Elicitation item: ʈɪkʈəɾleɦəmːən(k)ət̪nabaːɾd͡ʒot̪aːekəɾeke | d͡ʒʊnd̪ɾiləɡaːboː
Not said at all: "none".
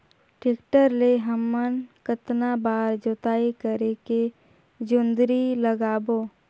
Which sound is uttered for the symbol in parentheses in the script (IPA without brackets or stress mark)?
k